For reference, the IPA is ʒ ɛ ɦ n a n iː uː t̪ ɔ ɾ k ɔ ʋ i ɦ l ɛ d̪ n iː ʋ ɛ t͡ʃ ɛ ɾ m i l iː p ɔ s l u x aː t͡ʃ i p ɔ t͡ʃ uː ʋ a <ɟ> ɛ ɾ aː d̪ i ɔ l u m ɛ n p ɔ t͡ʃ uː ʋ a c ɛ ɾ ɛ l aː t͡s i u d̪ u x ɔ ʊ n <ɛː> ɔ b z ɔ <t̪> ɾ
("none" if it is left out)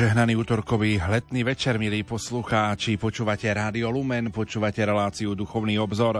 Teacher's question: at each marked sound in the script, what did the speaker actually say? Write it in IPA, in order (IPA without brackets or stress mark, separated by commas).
c, iː, none